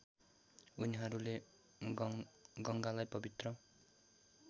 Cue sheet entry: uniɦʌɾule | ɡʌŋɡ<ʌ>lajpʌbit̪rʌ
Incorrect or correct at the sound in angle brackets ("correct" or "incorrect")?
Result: incorrect